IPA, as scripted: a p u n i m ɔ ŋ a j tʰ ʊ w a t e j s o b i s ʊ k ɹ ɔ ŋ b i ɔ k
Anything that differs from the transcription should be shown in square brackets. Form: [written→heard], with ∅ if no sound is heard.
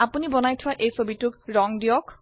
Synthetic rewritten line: a p u n i [m→b] ɔ [ŋ→n] a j tʰ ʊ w a [t→ʔ] e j s o b i [s→t] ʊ k ɹ ɔ ŋ [b→d] i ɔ k